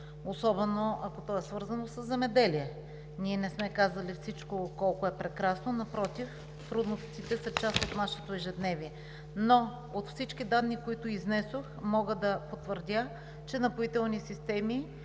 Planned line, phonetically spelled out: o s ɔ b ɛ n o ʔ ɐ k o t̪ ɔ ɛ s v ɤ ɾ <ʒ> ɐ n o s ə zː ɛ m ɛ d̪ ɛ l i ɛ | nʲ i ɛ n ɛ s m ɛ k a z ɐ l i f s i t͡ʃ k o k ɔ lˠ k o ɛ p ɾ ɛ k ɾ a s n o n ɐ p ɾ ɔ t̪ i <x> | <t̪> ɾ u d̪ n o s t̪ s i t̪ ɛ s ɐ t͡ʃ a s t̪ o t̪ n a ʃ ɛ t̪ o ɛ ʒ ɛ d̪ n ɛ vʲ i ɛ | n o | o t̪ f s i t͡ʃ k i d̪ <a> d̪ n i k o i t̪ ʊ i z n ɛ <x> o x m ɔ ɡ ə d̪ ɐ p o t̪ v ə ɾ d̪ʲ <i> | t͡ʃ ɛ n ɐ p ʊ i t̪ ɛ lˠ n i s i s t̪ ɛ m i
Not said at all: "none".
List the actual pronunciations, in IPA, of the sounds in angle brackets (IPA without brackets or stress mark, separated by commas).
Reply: z, f, t̪, a, s, a